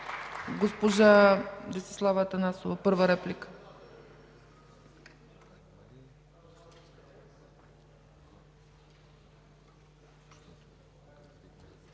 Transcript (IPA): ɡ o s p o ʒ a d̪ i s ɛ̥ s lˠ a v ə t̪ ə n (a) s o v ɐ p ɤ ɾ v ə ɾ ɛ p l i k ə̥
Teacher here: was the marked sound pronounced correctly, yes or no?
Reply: yes